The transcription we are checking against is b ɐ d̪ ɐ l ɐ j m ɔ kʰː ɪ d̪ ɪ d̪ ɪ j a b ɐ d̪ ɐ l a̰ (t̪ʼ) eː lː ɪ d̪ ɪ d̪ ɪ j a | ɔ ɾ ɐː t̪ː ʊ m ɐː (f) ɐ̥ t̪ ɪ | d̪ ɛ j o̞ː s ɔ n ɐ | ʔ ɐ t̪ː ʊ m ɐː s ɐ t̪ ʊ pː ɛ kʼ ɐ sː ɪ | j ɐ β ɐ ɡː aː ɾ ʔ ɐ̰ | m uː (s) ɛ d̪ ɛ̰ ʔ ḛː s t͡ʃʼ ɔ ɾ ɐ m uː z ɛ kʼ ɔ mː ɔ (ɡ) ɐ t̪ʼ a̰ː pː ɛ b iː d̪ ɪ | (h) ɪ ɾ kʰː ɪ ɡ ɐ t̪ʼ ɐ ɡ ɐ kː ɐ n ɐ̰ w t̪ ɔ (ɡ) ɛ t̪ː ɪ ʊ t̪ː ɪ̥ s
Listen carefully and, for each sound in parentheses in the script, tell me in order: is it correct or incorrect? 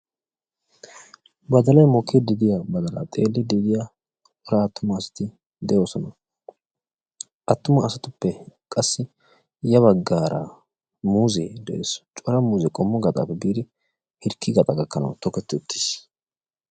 correct, incorrect: s, incorrect: z, correct, correct, incorrect: k

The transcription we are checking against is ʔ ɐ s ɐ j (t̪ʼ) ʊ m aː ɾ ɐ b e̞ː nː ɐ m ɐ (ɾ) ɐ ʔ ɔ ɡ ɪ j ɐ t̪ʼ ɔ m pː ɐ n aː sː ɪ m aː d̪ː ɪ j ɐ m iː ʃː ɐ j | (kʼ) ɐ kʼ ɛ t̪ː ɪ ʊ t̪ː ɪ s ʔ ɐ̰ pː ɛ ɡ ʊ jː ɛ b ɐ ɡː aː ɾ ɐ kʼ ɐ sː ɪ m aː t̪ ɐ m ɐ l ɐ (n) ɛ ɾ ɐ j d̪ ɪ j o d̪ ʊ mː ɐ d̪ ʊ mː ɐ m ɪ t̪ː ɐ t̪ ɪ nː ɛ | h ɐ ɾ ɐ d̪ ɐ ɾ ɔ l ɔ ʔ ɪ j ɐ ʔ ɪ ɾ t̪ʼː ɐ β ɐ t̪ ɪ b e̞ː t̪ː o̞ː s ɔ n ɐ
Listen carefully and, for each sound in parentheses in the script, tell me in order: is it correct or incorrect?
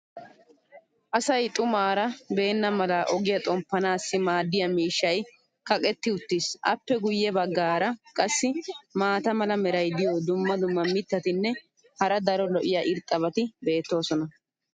correct, incorrect: l, incorrect: k, incorrect: m

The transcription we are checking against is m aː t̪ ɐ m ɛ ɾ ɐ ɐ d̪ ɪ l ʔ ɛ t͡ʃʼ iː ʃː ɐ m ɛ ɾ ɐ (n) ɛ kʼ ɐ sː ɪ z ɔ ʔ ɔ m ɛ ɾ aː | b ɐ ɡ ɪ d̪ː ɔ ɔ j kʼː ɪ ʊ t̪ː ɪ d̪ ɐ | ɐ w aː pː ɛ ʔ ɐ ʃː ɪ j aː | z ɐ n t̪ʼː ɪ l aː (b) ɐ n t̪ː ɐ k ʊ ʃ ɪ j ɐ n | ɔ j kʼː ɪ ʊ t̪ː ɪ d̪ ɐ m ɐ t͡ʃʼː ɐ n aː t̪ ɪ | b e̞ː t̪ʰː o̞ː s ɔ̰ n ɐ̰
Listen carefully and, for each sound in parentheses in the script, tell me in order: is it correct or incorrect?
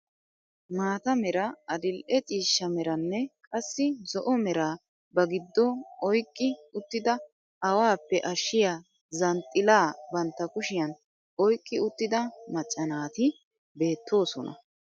incorrect: nː, correct

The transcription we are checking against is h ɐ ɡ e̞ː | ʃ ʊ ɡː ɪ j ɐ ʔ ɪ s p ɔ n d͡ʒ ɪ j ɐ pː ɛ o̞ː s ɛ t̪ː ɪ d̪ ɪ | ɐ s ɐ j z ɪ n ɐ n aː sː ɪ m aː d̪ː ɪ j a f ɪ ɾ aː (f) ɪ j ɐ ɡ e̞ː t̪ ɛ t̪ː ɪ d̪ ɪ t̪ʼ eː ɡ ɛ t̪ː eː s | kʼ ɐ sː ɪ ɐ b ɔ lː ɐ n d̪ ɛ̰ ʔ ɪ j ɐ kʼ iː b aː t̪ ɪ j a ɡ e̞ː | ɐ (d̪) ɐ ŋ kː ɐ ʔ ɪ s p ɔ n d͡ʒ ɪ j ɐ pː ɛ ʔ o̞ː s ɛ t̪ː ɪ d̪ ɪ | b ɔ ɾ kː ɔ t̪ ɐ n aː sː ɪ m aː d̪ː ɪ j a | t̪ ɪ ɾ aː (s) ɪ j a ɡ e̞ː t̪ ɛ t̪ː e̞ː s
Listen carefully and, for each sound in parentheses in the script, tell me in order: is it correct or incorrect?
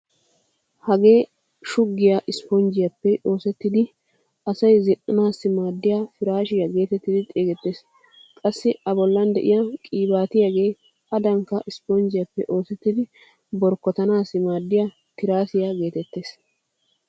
incorrect: ʃ, correct, correct

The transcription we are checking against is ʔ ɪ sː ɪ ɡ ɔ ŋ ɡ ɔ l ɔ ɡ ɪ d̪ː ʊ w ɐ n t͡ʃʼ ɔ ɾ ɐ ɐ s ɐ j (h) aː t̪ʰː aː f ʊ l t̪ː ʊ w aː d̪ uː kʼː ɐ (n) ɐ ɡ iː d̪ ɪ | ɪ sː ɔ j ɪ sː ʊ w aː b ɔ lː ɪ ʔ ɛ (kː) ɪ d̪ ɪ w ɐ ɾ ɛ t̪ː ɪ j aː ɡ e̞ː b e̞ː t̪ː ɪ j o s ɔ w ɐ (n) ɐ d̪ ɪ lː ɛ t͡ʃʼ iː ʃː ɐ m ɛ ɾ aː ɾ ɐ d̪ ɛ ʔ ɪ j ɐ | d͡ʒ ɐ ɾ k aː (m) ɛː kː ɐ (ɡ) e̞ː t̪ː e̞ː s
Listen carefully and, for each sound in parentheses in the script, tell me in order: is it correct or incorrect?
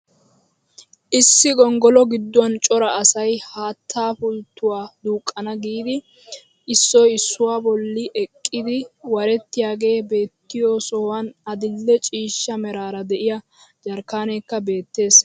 correct, correct, incorrect: kʼː, correct, incorrect: n, incorrect: b

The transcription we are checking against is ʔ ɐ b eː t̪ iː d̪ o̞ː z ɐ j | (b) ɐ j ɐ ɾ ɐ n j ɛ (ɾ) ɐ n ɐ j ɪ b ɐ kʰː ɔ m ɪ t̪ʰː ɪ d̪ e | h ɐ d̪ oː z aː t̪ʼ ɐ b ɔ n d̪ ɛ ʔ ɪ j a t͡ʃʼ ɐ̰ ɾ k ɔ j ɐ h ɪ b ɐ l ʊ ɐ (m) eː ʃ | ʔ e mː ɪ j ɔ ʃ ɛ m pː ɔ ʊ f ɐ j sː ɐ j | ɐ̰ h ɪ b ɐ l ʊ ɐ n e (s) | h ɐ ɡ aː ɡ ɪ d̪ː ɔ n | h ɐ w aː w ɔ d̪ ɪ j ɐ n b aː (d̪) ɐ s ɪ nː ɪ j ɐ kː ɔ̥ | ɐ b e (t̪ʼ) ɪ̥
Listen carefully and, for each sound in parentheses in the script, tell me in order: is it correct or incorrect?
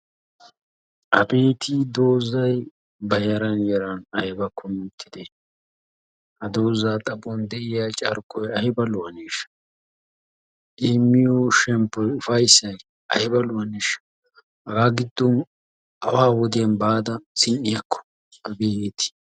correct, correct, incorrect: n, incorrect: ʃ, correct, incorrect: t̪

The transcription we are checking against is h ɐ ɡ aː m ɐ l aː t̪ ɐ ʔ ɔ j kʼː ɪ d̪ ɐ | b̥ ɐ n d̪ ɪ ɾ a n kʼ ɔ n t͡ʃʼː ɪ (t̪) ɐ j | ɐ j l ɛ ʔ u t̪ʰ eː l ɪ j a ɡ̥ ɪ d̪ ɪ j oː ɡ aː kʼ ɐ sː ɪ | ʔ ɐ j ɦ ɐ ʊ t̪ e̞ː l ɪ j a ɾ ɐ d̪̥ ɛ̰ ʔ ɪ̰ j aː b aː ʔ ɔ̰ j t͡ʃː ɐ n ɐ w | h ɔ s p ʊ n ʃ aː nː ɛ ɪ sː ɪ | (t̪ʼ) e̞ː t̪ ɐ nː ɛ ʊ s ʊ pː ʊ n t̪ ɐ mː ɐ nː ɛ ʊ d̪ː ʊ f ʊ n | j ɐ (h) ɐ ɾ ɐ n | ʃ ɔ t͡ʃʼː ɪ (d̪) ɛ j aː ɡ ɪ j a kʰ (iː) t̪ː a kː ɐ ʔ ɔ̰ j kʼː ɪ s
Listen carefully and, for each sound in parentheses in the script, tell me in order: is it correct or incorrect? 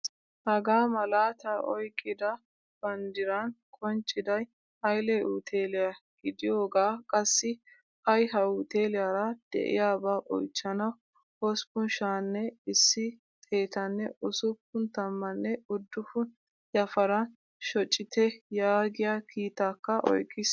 incorrect: d̪, correct, incorrect: f, incorrect: t̪, correct

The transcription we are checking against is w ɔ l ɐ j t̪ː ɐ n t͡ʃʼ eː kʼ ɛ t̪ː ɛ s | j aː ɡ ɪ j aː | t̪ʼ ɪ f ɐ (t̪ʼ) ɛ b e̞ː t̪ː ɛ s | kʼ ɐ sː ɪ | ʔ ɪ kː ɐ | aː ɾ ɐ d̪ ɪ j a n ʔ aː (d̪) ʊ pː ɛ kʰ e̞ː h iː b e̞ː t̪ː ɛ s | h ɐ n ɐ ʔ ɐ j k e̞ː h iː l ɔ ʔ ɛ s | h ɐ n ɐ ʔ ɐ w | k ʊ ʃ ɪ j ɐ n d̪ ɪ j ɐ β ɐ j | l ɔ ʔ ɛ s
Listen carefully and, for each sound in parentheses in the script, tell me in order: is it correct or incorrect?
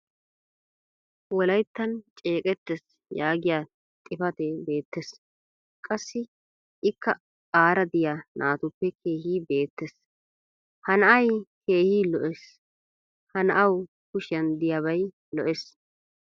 incorrect: t̪, incorrect: t̪

